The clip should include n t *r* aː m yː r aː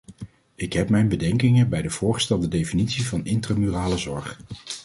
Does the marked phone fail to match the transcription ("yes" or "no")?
no